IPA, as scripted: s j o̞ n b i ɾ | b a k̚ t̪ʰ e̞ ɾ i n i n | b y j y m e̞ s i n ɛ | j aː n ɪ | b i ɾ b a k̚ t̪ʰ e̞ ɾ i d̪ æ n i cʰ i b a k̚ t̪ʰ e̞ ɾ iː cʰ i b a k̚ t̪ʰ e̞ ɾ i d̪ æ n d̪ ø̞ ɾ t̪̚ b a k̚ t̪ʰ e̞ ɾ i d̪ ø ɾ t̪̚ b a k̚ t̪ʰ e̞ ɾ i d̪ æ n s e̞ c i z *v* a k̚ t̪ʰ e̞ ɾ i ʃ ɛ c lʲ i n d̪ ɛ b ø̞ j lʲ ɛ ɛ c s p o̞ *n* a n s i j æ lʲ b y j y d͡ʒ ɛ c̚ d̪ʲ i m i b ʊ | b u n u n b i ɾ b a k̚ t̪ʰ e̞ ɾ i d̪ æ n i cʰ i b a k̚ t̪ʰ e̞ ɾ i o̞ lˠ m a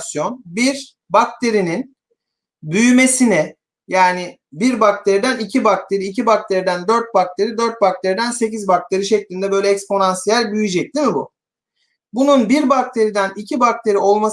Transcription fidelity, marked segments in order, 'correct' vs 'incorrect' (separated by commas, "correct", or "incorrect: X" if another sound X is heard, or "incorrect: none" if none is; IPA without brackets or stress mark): incorrect: b, correct